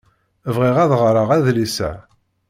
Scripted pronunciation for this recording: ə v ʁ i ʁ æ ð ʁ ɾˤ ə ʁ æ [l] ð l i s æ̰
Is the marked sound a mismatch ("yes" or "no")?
yes